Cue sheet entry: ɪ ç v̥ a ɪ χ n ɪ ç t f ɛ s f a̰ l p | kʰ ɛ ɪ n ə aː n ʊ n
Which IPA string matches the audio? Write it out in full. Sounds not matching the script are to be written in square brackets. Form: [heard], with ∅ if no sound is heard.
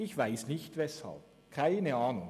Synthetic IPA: ɪ ç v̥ a ɪ [s] n ɪ ç t [v] ɛ s [h] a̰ l p | kʰ [a] ɪ n ə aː n ʊ [ŋ]